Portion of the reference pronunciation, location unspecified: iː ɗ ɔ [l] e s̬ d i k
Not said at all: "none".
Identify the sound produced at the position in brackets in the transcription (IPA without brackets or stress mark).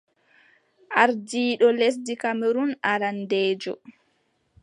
l